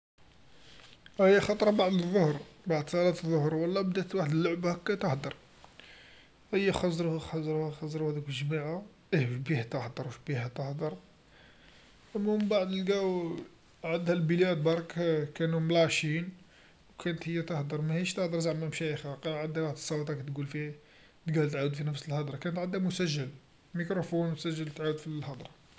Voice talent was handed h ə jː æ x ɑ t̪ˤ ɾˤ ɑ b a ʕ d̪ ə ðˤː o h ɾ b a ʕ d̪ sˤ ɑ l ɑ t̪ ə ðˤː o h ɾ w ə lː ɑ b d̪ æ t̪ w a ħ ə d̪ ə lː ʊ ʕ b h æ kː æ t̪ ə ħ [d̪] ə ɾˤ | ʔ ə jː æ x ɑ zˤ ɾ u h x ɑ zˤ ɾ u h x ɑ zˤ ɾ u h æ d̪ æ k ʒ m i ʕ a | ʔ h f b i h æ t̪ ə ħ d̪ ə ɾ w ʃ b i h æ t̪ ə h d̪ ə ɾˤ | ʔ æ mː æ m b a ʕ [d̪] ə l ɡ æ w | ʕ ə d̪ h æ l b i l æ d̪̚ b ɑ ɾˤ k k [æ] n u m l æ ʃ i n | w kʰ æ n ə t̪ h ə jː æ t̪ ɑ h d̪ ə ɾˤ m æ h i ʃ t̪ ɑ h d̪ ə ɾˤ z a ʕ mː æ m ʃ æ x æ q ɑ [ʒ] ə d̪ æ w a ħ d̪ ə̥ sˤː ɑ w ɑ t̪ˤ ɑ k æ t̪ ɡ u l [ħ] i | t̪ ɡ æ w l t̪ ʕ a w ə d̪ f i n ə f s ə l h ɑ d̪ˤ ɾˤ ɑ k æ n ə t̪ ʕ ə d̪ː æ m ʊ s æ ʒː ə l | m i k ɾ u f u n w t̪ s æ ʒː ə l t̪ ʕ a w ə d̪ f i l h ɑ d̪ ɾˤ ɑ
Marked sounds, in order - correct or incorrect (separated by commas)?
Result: correct, correct, correct, incorrect, incorrect